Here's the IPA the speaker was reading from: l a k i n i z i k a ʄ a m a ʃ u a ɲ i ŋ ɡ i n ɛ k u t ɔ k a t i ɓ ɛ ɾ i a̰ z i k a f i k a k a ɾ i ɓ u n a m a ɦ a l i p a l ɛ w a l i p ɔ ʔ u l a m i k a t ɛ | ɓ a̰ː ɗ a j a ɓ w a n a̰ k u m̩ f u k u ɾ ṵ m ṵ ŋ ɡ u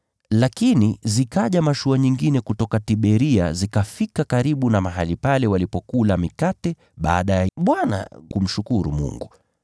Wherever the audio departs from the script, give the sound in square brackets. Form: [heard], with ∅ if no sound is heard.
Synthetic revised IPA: l a k i n i z i k a ʄ a m a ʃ u a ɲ i ŋ ɡ i n ɛ k u t ɔ k a t i ɓ ɛ ɾ i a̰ z i k a f i k a k a ɾ i ɓ u n a m a ɦ a l i p a l ɛ w a l i p ɔ [k] u l a m i k a t ɛ | ɓ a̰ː ɗ a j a ɓ w a n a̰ k u m̩ [ʃ] u k u ɾ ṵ m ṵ ŋ ɡ u